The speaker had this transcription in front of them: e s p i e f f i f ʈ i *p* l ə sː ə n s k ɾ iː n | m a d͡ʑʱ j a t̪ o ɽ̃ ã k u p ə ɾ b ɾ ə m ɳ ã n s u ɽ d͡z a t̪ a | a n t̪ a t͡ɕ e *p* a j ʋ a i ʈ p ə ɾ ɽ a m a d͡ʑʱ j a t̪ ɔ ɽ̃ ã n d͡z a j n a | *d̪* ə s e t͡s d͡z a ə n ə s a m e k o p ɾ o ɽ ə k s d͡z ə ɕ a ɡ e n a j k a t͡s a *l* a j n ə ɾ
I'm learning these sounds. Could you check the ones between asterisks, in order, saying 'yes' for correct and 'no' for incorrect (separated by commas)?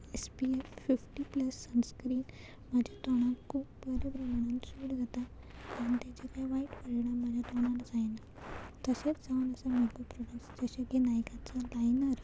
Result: yes, no, no, yes